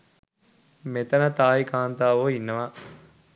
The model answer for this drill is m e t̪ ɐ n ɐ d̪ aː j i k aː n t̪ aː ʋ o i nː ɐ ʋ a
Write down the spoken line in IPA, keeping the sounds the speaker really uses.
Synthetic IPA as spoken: m e t̪ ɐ n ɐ t̪ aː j i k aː n t̪ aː ʋ o i nː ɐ ʋ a